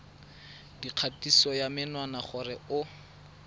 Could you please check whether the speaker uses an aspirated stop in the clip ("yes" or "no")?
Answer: yes